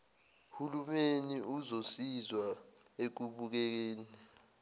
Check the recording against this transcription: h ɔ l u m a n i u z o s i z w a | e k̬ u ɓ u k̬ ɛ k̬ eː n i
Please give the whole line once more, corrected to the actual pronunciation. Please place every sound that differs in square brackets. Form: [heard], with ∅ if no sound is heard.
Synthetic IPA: h [u] l u m [e] n i u z o s i z w a | e k̬ u ɓ u k̬ ɛ k̬ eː n i